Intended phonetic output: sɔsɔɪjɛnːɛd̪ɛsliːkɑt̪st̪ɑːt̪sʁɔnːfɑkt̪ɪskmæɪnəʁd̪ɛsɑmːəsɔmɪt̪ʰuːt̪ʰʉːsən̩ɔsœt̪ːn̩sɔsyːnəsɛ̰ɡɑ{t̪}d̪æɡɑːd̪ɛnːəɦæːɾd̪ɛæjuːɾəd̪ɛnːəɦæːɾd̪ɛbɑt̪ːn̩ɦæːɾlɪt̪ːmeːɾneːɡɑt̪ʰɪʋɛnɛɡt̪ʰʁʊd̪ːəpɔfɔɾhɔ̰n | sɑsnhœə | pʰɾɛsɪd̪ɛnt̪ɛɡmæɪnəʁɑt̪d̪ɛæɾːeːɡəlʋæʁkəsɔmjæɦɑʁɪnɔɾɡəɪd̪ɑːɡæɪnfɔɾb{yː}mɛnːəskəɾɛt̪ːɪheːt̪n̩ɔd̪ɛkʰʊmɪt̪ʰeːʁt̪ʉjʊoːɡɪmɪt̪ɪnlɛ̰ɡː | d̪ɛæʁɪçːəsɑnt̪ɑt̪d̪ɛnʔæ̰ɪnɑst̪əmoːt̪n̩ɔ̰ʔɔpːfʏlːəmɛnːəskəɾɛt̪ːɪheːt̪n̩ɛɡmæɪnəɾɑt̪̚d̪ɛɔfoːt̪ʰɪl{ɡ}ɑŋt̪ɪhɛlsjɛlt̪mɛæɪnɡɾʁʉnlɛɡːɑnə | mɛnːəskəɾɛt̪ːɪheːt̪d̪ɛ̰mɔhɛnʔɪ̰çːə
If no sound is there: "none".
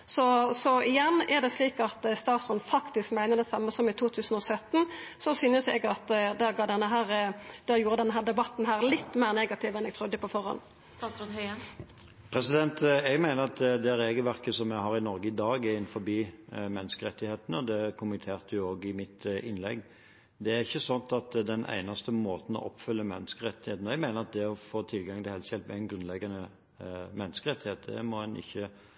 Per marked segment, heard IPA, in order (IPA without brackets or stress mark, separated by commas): t̪, iː, ɡ